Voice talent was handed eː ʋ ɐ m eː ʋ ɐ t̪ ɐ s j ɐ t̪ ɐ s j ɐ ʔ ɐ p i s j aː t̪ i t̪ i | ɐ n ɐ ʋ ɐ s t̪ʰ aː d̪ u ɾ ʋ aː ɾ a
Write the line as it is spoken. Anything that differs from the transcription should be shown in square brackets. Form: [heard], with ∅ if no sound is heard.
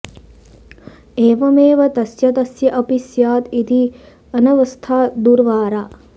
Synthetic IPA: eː ʋ ɐ m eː ʋ ɐ t̪ ɐ s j ɐ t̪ ɐ s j ɐ ʔ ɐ p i s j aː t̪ i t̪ i | ɐ n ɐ ʋ ɐ s t̪ʰ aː d̪ u ɾ ʋ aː ɾ a